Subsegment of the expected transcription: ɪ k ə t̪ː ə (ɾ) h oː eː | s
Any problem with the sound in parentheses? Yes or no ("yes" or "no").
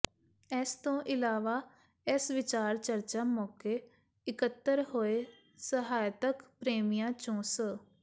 no